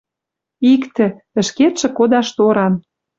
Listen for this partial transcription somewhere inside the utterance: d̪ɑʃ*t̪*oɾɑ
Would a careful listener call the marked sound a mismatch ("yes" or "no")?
no